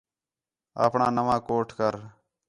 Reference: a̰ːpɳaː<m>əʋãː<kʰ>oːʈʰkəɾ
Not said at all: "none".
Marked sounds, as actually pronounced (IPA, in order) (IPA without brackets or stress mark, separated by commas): n, k